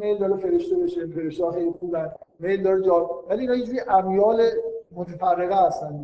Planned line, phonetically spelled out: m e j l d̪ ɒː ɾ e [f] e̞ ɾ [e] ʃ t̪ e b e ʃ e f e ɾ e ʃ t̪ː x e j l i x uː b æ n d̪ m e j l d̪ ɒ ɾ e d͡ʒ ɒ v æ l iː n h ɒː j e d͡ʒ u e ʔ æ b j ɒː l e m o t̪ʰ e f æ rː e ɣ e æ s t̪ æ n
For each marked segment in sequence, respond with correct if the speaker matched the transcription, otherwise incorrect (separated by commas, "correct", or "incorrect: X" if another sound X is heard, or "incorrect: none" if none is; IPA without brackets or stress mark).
correct, correct